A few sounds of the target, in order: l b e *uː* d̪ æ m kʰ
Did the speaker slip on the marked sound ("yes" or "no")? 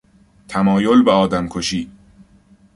yes